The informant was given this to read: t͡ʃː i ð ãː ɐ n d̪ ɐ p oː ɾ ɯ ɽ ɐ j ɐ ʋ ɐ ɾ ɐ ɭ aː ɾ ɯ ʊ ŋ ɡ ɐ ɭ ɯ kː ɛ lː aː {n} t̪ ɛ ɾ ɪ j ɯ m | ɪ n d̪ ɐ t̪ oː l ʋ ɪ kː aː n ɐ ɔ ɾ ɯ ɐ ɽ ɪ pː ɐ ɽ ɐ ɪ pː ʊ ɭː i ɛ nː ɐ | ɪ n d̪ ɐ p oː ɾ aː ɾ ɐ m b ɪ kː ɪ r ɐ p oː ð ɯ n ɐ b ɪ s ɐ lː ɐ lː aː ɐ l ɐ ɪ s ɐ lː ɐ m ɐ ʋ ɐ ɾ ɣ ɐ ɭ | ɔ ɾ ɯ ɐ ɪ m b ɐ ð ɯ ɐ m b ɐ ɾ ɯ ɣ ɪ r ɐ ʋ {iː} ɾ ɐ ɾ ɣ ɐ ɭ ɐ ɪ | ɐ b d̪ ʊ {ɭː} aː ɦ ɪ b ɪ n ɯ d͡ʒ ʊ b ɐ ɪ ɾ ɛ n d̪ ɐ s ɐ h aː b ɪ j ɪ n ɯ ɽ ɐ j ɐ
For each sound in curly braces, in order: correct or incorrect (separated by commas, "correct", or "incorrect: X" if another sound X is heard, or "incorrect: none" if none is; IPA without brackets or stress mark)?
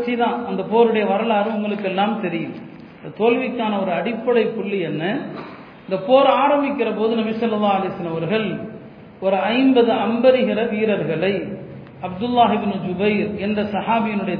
incorrect: m, correct, incorrect: lː